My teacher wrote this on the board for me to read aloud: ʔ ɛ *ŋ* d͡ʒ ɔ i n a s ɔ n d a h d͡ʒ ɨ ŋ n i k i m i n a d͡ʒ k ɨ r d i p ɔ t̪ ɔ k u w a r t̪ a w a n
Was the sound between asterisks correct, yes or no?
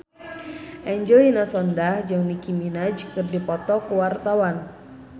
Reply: no